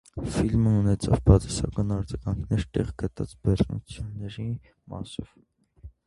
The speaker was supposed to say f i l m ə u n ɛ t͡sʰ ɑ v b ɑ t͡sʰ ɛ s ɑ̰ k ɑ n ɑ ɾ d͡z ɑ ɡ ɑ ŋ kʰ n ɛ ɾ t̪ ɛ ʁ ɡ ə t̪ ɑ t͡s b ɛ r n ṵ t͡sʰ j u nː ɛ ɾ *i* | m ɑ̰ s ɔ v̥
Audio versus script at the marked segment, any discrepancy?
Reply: no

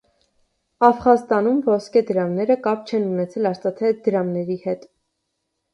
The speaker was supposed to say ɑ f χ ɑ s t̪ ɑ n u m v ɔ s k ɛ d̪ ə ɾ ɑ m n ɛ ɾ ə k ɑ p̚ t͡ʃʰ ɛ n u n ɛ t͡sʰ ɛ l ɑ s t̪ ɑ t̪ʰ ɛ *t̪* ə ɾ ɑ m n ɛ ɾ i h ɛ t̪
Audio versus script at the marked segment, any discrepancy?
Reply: yes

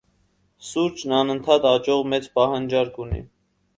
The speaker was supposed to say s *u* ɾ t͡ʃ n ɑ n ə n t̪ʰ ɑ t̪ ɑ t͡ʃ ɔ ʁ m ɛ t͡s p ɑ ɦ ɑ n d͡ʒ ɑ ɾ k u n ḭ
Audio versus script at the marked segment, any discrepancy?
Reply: no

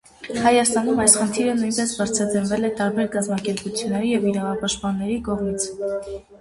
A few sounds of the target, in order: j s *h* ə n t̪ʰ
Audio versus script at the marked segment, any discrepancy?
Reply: yes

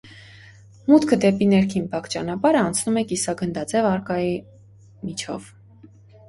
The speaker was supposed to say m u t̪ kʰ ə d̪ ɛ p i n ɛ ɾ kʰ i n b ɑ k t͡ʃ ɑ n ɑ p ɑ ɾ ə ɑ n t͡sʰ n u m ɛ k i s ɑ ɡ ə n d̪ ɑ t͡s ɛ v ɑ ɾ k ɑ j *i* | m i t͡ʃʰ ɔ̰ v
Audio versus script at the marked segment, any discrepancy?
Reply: no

